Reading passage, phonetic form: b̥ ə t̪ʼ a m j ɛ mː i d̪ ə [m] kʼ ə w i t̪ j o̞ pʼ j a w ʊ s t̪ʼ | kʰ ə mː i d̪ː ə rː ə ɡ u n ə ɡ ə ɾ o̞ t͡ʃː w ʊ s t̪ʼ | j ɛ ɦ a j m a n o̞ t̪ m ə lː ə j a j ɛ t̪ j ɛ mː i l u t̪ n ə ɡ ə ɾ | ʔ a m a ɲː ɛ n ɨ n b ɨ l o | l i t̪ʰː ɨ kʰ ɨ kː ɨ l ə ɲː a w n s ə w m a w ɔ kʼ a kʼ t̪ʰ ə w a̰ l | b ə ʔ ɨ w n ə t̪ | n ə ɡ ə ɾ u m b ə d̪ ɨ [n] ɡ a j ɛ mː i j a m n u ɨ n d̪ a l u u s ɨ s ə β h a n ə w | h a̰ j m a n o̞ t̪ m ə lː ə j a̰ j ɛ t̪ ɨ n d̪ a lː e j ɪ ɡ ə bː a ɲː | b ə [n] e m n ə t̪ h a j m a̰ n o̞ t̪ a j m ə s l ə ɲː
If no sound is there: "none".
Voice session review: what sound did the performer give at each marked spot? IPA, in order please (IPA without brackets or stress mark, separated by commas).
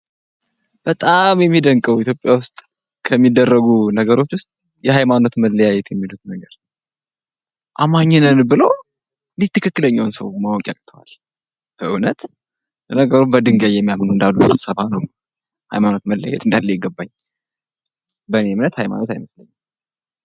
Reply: ŋ, ŋ, n